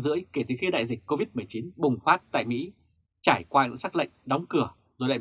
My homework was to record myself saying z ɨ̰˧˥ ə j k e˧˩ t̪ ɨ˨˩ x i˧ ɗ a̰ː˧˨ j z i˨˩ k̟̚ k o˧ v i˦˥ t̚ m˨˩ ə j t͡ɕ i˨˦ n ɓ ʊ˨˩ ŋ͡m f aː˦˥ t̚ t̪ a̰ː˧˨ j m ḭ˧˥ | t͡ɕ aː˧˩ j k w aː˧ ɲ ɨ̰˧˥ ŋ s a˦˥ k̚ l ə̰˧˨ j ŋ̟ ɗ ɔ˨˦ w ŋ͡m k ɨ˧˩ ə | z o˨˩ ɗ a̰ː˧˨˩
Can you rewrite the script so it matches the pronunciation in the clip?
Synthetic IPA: z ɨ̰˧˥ ə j k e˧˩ t̪ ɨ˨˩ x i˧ ɗ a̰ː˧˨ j z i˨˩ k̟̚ k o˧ v i˦˥ t̚ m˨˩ ə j t͡ɕ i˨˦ n ɓ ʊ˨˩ ŋ͡m f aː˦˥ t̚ t̪ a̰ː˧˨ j m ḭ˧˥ | t͡ɕ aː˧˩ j k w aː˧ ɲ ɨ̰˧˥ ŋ s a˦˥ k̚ l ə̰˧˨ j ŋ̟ ɗ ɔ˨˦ w ŋ͡m k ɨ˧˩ ə | z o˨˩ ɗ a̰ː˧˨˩